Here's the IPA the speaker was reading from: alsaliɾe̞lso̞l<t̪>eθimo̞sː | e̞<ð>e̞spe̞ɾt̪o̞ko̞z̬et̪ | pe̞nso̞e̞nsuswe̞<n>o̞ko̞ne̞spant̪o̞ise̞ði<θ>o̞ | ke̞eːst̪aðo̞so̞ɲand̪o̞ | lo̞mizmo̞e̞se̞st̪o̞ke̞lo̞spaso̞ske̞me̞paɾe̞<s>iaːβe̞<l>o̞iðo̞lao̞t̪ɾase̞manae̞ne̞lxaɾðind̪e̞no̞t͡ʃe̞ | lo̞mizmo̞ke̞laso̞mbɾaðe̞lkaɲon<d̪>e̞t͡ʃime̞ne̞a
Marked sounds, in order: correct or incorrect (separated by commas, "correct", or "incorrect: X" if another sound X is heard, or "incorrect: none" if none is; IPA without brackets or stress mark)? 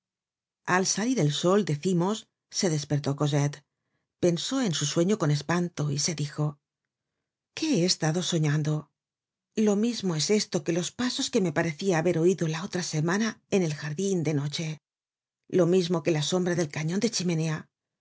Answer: incorrect: d̪, correct, incorrect: ɲ, incorrect: x, incorrect: θ, incorrect: ɾ, correct